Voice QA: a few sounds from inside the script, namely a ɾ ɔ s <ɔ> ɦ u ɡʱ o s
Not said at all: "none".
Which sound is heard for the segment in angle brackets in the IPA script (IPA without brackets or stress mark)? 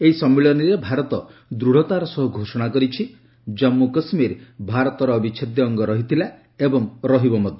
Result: ɔ